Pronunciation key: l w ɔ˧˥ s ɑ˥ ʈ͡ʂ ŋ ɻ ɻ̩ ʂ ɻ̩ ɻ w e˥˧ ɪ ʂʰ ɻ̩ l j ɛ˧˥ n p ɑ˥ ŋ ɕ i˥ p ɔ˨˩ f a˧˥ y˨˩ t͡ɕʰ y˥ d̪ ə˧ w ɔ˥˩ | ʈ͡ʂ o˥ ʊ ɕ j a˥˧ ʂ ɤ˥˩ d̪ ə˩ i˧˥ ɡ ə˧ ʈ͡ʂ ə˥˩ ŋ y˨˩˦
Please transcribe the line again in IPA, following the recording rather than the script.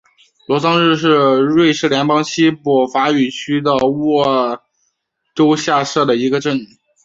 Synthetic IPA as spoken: l w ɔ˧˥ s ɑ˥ ŋ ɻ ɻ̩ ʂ ɻ̩ ɻ w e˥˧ ɪ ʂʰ ɻ̩ l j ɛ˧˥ n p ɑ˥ ŋ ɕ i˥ p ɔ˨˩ f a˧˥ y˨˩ t͡ɕʰ y˥ d̪ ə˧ w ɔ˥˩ | ʈ͡ʂ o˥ ʊ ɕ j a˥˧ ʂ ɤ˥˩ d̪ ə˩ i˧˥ ɡ ə˧ ʈ͡ʂ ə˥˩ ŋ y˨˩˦

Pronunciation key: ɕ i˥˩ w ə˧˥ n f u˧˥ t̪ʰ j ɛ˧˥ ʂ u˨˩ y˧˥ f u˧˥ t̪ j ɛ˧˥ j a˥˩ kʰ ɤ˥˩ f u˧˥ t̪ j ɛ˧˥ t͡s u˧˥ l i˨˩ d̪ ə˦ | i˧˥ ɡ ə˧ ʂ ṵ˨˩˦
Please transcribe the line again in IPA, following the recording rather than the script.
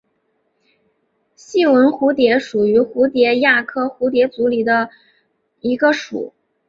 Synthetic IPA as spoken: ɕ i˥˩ w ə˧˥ n x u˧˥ t̪ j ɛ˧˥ ʂ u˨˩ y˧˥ x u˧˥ t̪ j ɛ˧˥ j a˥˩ kʰ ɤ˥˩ x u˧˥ t̪ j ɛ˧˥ t͡s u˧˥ l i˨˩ d̪ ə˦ | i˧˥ ɡ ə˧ ʂ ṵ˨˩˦

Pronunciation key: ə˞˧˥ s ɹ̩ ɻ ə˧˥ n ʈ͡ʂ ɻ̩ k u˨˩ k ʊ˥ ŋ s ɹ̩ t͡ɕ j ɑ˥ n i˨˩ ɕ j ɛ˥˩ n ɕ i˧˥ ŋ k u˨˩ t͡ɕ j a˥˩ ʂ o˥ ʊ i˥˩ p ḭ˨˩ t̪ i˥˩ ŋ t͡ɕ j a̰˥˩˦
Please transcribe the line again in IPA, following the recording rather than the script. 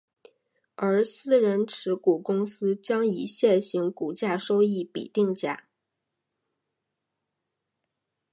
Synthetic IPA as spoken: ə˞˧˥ s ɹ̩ ɻ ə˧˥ n ʈ͡ʂʰ ɻ̩ k u˨˩ k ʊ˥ ŋ s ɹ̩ t͡ɕ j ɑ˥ ŋ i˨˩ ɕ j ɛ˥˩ n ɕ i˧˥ ŋ k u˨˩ t͡ɕ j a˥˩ ʂ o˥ ʊ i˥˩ p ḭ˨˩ t̪ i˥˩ ŋ t͡ɕ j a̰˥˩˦

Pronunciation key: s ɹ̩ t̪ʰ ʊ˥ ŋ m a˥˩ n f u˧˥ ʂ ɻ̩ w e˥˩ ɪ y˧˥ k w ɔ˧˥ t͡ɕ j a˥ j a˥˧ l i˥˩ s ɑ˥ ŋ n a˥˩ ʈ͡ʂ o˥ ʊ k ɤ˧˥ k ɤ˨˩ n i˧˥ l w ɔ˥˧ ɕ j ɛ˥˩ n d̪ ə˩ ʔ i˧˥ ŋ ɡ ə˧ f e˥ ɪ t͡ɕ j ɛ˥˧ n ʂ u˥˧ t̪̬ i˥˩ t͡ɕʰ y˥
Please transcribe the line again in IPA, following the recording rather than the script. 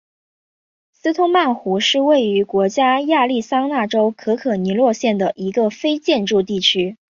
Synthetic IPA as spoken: s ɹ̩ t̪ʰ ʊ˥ ŋ m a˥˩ n x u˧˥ ʂ ɻ̩ w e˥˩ ɪ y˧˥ k w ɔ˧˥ t͡ɕ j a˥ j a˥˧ l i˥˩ s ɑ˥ ŋ n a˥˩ ʈ͡ʂ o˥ ʊ kʰ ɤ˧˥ kʰ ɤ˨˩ n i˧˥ l w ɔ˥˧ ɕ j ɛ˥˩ n d̪ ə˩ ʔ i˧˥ ɡ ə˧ f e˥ ɪ t͡ɕ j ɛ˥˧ n ʈ͡ʂ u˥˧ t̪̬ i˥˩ t͡ɕʰ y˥

